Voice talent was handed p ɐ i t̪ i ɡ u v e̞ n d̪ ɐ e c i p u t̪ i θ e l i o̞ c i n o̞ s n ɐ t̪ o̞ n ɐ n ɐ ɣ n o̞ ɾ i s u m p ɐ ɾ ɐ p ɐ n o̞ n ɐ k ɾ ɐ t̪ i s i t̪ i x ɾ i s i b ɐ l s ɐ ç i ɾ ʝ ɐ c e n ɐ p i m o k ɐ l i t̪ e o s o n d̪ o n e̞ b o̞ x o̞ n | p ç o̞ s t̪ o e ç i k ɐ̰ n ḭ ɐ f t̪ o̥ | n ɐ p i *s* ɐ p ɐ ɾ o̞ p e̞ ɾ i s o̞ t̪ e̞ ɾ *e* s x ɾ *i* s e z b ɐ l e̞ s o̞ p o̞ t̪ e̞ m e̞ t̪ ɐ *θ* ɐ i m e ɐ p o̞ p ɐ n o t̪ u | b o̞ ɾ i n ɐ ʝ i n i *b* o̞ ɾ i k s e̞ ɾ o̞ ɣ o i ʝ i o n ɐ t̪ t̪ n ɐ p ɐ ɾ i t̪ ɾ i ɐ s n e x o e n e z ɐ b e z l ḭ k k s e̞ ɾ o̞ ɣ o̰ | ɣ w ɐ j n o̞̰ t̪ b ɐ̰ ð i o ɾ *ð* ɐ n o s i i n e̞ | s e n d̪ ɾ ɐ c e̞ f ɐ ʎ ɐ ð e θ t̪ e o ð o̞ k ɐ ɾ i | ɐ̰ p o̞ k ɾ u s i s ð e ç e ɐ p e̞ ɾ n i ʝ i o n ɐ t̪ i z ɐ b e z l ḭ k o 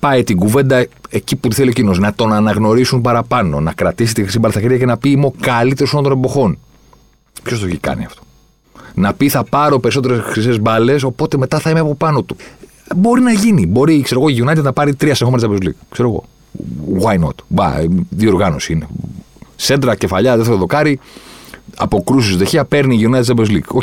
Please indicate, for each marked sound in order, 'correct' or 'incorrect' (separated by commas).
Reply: incorrect, correct, correct, correct, correct, incorrect